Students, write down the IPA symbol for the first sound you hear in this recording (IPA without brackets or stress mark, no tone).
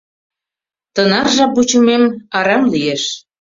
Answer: t̪